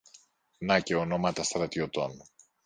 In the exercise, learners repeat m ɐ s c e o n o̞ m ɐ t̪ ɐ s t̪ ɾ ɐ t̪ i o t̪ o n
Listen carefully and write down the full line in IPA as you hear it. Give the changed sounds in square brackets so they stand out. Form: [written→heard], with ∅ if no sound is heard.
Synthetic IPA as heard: [m→n] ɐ [s→∅] c e o n o̞ m ɐ t̪ ɐ s t̪ ɾ ɐ t̪ i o t̪ o n